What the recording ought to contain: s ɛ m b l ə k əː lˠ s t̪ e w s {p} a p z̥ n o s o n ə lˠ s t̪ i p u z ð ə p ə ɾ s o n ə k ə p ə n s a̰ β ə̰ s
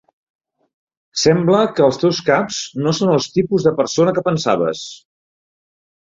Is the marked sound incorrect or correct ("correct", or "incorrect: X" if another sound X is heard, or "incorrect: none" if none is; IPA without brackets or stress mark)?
incorrect: k